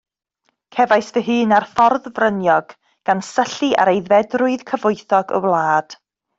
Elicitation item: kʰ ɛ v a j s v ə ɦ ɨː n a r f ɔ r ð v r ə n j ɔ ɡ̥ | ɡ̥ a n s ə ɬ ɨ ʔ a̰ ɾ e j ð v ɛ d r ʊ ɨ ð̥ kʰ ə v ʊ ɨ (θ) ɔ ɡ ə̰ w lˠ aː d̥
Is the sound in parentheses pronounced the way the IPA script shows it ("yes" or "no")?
yes